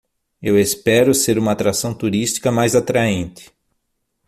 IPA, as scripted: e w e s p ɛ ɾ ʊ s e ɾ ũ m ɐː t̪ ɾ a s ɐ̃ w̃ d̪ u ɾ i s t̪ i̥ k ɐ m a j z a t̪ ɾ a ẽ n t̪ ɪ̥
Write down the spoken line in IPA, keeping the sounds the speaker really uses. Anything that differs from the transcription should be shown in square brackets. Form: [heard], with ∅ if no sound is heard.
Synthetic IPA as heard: e w e s p ɛ ɾ ʊ s e ɾ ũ m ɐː t̪ ɾ a s ɐ̃ w̃ [t̪] u ɾ i s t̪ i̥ k ɐ m a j z a t̪ ɾ a ẽ n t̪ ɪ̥